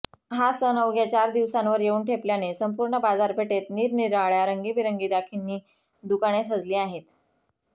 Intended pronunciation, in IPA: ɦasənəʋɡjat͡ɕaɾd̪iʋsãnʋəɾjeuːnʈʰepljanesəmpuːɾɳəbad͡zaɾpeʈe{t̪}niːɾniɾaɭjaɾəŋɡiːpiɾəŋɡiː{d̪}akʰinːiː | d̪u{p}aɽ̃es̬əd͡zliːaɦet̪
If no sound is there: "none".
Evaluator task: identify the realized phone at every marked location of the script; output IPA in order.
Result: t̪, d̪, k

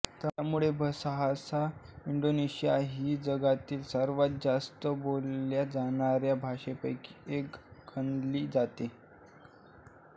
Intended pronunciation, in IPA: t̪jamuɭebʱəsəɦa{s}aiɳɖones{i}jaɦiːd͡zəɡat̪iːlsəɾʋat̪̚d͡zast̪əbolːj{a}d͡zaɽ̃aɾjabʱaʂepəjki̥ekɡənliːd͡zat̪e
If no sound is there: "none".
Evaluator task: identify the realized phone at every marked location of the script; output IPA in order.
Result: s, i, a

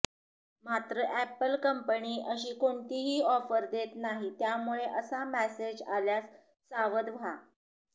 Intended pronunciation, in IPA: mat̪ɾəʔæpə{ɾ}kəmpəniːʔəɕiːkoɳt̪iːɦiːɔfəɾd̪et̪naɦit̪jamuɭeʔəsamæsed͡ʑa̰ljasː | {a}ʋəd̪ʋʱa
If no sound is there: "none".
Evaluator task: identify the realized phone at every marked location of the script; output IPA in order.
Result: l, a

